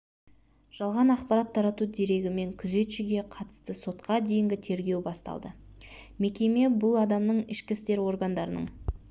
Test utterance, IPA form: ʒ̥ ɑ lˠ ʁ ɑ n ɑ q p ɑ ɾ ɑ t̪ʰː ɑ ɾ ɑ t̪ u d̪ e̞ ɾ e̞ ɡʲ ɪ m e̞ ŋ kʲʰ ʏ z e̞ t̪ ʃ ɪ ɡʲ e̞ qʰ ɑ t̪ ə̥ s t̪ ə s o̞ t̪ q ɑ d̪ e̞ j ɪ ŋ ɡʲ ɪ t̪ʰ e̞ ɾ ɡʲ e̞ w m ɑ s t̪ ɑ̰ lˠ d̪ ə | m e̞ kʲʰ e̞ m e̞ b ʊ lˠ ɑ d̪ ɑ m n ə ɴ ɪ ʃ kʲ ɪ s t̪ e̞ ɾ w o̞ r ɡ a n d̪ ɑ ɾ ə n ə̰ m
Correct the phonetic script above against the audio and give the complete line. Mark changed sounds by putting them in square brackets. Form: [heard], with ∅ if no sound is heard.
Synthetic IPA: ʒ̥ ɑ lˠ ʁ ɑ n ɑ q p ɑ ɾ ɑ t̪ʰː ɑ ɾ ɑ t̪ u d̪ e̞ ɾ e̞ ɡʲ ɪ m e̞ ŋ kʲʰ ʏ z e̞ t̪ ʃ ɪ ɡʲ e̞ qʰ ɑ t̪ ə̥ s t̪ ə s o̞ t̪ q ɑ d̪ e̞ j ɪ ŋ ɡʲ ɪ t̪ʰ e̞ ɾ ɡʲ e̞ w [b] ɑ s t̪ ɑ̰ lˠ d̪ ə | m e̞ [kʲ] e̞ m e̞ b ʊ lˠ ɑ d̪ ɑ m n ə ɴ ɪ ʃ kʲ ɪ s t̪ e̞ ɾ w o̞ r ɡ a n d̪ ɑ ɾ ə n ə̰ [ɴ]